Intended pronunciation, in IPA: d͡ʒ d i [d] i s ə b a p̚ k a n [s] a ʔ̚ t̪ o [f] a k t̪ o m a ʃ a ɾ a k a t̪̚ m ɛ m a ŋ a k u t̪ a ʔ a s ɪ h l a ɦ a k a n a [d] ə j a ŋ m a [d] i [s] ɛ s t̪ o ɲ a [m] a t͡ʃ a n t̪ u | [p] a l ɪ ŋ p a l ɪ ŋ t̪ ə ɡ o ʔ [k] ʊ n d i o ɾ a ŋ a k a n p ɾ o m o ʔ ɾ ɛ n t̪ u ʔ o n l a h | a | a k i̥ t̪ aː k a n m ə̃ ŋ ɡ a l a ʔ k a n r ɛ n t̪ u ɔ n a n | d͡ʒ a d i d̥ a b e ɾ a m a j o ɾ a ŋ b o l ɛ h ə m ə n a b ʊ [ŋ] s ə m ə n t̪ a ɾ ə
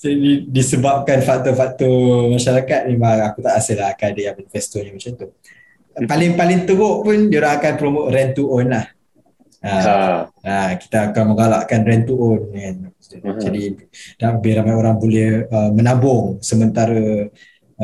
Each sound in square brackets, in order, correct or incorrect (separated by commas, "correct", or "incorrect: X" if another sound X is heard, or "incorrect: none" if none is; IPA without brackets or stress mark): correct, incorrect: f, correct, correct, incorrect: n, incorrect: f, correct, correct, incorrect: p, correct